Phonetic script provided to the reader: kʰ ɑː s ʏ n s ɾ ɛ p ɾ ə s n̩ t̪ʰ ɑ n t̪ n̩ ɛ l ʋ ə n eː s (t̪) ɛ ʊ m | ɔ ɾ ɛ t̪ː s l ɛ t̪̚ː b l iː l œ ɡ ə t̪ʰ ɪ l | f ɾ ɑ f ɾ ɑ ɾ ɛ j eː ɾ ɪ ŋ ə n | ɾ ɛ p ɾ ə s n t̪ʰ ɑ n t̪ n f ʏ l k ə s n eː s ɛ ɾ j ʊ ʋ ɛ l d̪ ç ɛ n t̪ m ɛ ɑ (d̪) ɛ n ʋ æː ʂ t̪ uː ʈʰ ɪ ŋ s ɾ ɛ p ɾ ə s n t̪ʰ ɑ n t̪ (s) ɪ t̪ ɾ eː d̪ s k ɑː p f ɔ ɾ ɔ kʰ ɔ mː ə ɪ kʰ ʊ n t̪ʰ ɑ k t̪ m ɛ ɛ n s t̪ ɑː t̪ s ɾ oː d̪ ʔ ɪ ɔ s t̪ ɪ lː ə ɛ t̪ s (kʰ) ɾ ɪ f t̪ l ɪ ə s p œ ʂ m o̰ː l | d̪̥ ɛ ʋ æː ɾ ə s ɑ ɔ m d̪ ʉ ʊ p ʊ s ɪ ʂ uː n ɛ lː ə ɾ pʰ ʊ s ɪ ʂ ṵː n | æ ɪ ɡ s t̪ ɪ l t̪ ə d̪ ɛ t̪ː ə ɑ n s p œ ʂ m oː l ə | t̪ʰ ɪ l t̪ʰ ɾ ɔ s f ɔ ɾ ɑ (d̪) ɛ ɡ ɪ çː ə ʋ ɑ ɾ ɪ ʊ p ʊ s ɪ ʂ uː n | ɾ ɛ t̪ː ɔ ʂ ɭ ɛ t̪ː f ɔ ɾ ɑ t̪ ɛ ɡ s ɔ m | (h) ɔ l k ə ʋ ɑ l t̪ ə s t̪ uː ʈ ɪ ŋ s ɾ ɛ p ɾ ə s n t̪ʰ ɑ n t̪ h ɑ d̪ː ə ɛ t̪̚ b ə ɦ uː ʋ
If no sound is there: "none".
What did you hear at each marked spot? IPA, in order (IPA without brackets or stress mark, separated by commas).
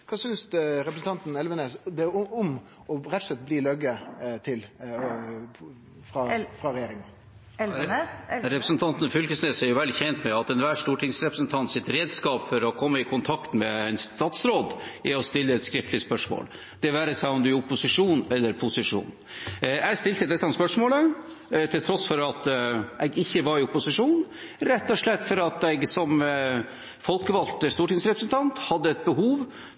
d̪, t̪, s, k, t̪, f